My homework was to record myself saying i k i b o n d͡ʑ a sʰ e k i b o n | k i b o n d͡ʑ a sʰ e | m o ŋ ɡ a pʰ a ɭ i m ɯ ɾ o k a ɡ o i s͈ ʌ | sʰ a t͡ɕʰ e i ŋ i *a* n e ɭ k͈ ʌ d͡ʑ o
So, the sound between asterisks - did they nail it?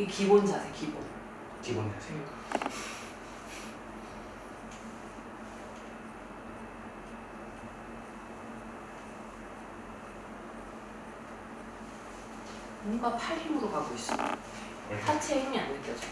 yes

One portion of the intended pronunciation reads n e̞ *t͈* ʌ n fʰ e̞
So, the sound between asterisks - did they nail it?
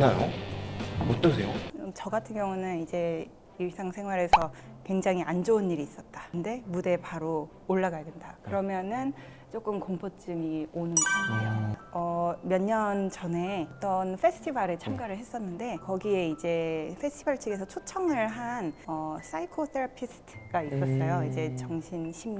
yes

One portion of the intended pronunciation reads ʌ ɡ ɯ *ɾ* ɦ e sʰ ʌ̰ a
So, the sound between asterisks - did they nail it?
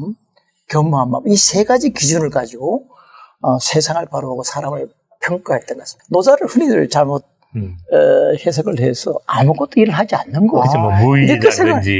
no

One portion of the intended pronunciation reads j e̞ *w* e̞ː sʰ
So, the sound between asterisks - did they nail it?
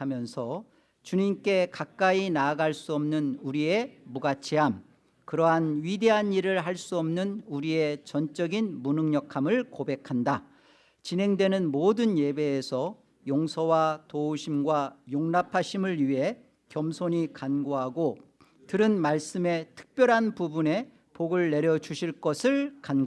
no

